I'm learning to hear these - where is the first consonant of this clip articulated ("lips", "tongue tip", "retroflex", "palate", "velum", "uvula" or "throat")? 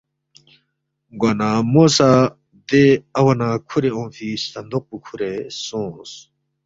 velum